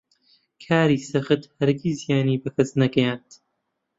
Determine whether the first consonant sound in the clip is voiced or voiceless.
voiceless